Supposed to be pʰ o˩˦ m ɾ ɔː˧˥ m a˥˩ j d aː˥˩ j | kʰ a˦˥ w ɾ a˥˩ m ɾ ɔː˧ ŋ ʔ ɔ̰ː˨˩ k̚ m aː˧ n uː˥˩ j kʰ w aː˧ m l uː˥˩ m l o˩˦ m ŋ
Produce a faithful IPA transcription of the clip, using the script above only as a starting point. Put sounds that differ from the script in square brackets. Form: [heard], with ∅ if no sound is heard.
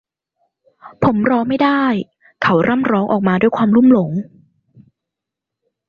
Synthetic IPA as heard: pʰ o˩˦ m ɾ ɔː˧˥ m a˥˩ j d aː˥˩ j | kʰ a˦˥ w ɾ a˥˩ m ɾ [ɔː˦˥] ŋ ʔ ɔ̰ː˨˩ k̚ m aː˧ [d] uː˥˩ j kʰ w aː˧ m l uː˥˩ m l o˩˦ [∅] ŋ